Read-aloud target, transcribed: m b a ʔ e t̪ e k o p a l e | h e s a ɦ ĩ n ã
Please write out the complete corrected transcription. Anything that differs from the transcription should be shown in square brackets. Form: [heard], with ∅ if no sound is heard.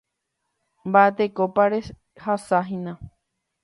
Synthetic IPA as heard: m b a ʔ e t̪ e k o p a [ɾ] e | h [a] s a ɦ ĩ n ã